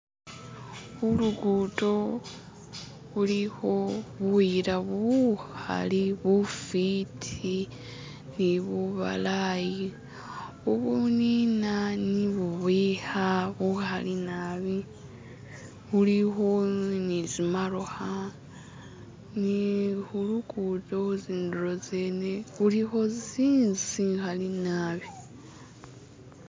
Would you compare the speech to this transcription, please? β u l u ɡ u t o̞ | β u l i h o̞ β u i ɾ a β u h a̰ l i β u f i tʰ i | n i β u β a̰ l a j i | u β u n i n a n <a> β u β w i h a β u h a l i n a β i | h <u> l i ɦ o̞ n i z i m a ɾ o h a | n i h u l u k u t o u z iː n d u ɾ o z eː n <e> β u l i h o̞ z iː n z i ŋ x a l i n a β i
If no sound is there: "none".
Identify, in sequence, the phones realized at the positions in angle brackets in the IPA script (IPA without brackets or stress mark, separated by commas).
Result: i, u, e